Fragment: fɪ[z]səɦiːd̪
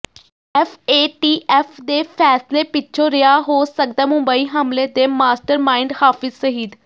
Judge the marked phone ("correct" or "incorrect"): correct